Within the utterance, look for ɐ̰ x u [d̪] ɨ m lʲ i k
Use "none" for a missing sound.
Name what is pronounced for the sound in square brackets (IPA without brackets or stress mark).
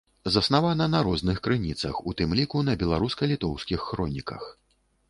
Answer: t̪